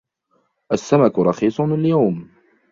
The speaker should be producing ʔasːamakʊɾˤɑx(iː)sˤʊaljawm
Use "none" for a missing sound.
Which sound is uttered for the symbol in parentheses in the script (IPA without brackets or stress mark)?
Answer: iː